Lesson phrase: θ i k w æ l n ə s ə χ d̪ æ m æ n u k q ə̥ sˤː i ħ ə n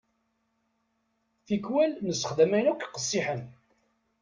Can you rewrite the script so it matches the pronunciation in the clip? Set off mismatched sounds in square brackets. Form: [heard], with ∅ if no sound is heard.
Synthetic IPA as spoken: θ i k w æ l n ə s ə χ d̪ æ m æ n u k q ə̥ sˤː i ħ ə n